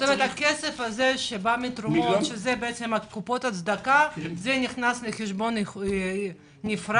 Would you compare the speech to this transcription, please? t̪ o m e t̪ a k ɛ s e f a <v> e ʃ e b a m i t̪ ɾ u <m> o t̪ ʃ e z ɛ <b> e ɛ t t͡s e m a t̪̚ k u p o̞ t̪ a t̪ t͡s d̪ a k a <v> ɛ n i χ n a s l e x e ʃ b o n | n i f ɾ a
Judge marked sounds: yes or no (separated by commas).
no, yes, yes, no